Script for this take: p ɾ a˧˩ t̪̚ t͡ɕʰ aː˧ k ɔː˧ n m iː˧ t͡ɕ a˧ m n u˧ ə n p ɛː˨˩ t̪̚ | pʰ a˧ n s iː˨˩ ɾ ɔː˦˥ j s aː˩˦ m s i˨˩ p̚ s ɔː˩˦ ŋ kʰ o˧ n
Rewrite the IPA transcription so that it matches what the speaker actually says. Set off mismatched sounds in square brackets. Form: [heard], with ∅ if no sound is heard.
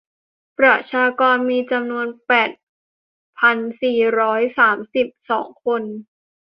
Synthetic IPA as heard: p ɾ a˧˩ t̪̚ t͡ɕʰ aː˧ k ɔː˧ n m iː˧ t͡ɕ a˧ m n u˧ ə n p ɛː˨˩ t̪̚ | pʰ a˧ n s iː˨˩ ɾ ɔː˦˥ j s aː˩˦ m s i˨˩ p̚ s ɔː˩˦ ŋ kʰ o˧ n